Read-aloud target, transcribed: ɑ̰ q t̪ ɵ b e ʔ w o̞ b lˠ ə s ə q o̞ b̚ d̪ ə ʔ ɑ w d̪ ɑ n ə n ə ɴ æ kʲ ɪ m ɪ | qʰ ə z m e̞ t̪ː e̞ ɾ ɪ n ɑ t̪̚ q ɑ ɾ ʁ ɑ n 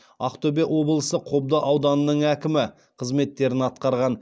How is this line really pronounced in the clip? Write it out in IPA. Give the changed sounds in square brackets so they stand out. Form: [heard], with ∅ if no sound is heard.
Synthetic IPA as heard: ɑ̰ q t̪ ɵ b e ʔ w o̞ b lˠ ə s ə [qʰ] o̞ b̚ d̪ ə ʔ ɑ w d̪ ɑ n ə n ə ɴ æ kʲ ɪ m ɪ | qʰ ə z m e̞ t̪ː e̞ ɾ ɪ n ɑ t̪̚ q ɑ ɾ ʁ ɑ n